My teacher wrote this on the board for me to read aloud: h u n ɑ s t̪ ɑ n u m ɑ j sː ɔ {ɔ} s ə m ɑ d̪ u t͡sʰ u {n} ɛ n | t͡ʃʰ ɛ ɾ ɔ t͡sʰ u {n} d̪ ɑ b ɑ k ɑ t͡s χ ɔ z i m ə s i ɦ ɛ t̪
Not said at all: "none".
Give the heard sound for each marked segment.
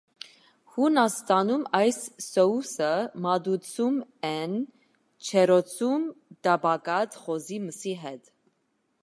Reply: u, m, m

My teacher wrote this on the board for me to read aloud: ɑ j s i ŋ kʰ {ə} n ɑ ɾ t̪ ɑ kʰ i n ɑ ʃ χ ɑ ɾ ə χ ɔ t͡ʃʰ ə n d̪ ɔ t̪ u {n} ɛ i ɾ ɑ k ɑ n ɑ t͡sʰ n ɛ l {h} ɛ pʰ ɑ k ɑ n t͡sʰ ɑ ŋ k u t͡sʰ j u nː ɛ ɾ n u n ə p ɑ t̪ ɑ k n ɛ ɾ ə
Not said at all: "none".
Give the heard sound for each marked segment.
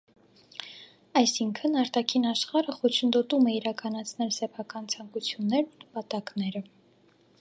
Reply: ə, m, s

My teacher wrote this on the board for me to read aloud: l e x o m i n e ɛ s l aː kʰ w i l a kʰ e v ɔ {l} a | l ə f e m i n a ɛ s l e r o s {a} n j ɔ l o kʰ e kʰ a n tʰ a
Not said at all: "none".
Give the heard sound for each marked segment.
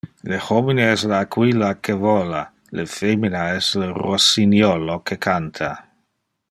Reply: l, i

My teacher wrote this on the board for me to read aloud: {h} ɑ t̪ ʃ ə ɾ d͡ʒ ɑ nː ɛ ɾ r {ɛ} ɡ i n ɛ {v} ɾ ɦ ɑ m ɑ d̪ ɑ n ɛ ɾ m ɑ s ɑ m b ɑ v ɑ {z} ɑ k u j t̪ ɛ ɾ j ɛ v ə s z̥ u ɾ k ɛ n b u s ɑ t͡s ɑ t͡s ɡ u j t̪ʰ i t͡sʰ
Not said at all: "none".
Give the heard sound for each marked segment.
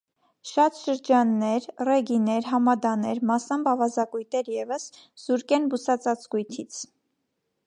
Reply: ʃ, ɛ, none, z

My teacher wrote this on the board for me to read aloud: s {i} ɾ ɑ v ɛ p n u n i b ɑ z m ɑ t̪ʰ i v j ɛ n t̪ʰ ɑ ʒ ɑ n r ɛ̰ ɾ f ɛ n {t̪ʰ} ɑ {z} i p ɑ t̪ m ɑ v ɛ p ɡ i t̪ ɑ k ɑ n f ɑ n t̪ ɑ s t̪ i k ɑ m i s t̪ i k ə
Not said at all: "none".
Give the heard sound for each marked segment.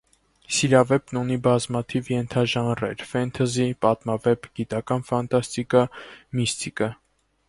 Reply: i, t̪ʰ, z

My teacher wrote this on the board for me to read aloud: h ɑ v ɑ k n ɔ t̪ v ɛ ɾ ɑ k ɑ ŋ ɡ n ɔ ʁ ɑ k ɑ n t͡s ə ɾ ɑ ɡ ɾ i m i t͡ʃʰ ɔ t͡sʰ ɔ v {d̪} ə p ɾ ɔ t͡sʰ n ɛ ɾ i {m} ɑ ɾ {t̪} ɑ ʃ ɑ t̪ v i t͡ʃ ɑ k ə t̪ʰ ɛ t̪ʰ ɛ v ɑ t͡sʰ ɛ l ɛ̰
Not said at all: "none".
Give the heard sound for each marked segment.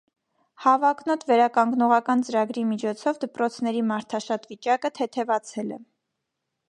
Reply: d̪, m, t̪ʰ

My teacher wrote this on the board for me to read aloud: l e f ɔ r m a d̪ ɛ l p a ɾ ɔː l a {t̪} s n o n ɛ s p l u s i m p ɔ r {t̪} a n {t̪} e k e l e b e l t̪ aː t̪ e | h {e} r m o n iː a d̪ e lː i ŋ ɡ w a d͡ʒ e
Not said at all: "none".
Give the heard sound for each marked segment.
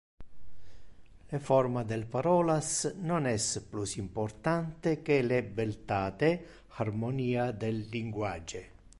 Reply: none, t̪, t̪, a

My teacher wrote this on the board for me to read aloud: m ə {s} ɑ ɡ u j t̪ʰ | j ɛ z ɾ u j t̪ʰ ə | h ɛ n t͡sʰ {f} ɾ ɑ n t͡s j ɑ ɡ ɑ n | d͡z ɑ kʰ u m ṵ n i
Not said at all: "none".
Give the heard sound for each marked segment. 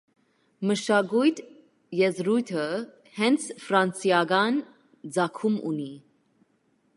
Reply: ʃ, f

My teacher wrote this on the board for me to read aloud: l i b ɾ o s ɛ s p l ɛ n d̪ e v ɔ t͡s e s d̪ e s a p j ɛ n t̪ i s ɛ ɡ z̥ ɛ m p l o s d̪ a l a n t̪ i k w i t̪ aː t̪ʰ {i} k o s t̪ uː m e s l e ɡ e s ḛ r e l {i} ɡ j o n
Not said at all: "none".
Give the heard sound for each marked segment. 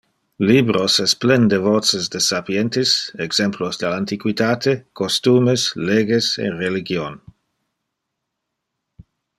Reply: e, i

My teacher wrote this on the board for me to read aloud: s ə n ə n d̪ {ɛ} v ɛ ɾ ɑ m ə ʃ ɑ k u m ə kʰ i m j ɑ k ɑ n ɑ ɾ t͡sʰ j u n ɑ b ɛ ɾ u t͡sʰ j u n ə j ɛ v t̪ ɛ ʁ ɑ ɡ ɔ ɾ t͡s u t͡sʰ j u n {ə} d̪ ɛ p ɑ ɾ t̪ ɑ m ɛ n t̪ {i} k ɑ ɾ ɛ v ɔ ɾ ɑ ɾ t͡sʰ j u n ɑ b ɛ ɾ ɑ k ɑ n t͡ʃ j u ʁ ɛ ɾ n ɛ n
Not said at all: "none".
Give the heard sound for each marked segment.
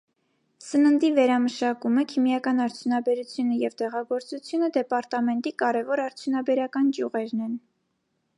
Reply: i, ə, i

